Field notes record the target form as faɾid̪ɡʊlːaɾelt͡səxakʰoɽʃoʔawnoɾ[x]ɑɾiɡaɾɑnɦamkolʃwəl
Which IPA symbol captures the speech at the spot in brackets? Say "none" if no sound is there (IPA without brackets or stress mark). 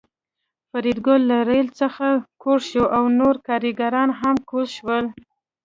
k